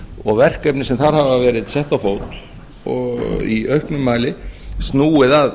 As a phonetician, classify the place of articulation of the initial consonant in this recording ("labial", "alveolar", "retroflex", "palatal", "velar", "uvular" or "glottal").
velar